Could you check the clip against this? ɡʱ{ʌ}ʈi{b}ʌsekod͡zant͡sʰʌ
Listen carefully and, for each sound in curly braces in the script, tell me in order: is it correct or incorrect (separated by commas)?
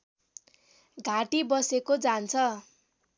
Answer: incorrect, correct